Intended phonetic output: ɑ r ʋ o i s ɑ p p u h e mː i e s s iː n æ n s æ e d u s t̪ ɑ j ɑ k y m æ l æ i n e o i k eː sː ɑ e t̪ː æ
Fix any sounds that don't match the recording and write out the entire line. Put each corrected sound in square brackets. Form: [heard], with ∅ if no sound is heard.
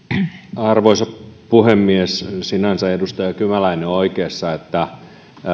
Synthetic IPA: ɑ r ʋ o i s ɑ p p u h e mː i e s s [i] n æ n s æ e d u s t̪ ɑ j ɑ k y m æ l æ i n e o i k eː sː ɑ e t̪ː æ